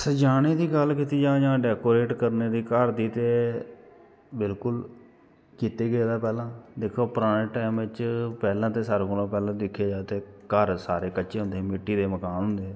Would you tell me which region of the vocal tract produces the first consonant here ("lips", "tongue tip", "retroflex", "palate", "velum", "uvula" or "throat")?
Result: tongue tip